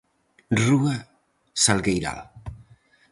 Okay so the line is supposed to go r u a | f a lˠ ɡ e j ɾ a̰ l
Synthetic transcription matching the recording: r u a | s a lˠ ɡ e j ɾ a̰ l